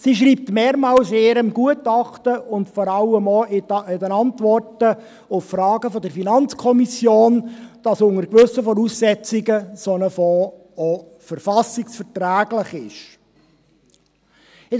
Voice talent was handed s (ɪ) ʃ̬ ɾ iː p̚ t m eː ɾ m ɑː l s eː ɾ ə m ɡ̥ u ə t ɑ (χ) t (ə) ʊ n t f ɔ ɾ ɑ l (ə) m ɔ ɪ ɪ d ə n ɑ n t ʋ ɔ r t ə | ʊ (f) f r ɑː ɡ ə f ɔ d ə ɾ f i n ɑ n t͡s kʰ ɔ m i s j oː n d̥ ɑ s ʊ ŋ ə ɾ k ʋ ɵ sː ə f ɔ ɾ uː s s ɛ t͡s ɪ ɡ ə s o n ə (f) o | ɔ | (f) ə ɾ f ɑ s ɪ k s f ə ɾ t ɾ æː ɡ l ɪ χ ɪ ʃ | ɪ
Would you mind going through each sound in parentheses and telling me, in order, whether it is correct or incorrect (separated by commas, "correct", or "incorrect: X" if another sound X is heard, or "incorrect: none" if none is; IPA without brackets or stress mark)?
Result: incorrect: i, correct, correct, correct, correct, correct, correct